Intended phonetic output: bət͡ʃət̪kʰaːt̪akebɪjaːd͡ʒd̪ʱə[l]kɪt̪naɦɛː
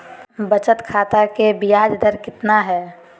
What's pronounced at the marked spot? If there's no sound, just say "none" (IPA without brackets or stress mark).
ɾ